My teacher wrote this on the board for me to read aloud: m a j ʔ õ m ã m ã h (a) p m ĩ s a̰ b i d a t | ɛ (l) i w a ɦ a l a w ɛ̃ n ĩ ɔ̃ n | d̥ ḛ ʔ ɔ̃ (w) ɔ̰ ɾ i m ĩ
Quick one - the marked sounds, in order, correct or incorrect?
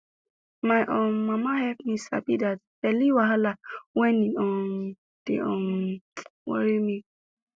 incorrect, correct, correct

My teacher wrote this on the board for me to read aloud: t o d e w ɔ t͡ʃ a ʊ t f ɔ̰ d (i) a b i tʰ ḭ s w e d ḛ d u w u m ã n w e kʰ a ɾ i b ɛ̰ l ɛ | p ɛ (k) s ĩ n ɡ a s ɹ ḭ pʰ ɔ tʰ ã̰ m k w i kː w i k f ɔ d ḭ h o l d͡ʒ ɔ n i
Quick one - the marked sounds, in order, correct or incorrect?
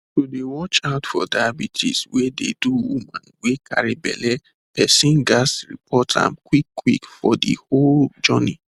incorrect, incorrect

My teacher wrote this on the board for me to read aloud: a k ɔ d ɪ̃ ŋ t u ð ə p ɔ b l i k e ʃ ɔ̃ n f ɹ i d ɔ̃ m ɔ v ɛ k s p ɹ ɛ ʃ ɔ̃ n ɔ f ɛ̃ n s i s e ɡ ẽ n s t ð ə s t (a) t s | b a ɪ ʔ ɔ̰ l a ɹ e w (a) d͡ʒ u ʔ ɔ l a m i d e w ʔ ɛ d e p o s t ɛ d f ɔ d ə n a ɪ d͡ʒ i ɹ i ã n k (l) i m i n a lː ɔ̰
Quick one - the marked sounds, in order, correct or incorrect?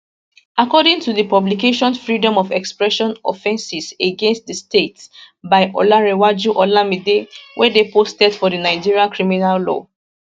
incorrect, correct, incorrect

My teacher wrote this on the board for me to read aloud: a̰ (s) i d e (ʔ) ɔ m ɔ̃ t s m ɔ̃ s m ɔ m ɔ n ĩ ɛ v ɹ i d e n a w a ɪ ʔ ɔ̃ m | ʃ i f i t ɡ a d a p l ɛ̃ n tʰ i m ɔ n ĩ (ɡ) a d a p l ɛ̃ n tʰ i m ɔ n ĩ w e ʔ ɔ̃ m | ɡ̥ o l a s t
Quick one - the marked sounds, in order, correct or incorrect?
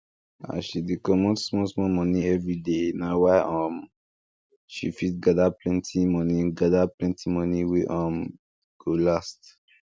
incorrect, incorrect, correct

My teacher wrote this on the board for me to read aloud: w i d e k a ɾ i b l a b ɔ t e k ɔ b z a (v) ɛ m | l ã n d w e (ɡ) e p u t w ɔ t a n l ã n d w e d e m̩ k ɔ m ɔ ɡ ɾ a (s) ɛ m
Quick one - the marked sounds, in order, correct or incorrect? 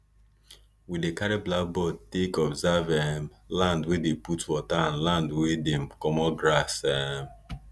correct, incorrect, correct

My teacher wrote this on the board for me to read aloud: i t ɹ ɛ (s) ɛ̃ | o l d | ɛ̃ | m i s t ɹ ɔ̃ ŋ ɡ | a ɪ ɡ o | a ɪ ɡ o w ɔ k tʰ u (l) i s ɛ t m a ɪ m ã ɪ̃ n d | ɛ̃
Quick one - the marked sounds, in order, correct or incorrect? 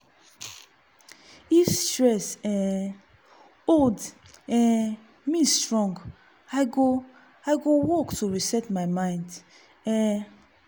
correct, incorrect

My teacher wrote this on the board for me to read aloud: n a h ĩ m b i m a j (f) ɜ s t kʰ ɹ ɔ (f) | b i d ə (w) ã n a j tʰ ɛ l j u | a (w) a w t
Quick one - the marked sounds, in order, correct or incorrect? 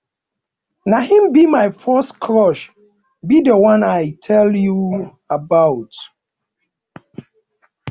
correct, incorrect, correct, incorrect

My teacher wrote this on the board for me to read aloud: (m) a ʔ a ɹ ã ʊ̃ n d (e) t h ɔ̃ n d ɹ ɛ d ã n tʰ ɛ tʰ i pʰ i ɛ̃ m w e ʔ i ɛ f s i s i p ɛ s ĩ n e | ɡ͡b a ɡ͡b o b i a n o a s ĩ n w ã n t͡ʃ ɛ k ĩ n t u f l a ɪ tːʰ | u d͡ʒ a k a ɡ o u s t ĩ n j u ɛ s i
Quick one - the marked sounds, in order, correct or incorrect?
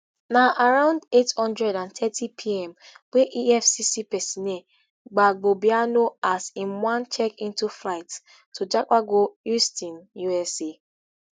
incorrect, correct

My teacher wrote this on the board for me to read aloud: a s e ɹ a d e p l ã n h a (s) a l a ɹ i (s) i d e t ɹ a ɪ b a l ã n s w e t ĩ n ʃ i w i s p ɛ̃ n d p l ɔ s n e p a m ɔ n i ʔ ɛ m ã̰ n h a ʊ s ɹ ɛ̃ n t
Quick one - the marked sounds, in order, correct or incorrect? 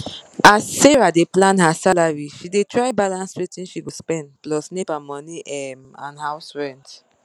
correct, incorrect

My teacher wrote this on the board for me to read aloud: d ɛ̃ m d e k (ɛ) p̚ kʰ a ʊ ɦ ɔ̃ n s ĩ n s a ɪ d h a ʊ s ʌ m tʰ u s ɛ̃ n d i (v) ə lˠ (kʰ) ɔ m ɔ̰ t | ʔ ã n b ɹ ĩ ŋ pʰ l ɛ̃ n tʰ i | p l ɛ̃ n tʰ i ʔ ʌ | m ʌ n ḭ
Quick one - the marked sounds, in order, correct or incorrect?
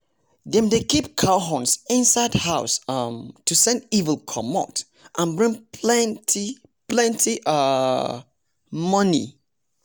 incorrect, correct, correct

